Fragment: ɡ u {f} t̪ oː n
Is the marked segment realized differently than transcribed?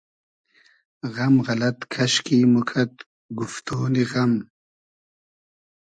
no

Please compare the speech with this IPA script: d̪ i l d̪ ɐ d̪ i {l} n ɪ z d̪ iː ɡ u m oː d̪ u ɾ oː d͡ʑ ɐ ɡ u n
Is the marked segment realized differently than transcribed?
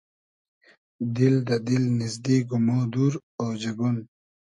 no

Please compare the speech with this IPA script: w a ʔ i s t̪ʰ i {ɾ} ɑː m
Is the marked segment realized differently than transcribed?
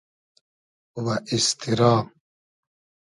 no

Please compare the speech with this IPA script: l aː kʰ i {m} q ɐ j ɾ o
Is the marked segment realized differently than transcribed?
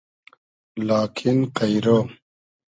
yes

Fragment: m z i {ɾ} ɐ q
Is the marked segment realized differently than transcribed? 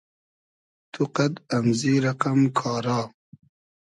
no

